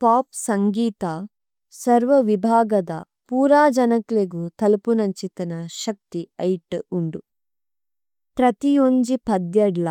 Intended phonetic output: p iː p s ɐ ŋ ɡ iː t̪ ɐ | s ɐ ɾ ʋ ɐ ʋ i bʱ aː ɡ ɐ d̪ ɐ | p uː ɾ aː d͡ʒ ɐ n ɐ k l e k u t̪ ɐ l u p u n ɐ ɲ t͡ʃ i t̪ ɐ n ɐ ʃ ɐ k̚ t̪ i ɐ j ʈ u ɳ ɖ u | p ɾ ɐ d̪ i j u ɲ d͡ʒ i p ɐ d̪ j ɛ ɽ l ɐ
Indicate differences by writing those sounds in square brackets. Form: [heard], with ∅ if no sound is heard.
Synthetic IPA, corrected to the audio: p [aː] p s ɐ ŋ ɡ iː t̪ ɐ | s ɐ ɾ ʋ ɐ ʋ i bʱ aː ɡ ɐ d̪ ɐ | p uː ɾ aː d͡ʒ ɐ n ɐ k l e [ɡ] u t̪ ɐ l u p u n ɐ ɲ t͡ʃ i t̪ ɐ n ɐ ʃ ɐ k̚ t̪ i ɐ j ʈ u ɳ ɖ u | p ɾ ɐ [t̪] i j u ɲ d͡ʒ i p ɐ d̪ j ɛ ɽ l ɐ